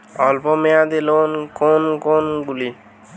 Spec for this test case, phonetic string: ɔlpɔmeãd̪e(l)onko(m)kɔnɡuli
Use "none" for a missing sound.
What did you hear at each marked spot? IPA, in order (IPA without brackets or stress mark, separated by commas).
l, n